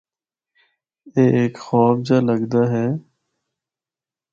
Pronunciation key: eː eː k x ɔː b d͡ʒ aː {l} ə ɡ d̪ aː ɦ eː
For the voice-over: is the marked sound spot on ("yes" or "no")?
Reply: yes